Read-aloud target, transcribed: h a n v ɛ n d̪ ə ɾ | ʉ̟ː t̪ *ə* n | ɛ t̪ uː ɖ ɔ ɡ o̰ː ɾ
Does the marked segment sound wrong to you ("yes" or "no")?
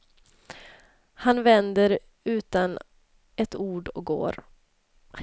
yes